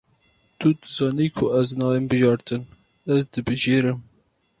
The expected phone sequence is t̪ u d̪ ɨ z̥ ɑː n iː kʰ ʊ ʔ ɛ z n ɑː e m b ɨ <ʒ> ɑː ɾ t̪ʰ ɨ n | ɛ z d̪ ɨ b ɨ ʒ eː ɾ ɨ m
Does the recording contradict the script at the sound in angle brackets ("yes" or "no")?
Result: no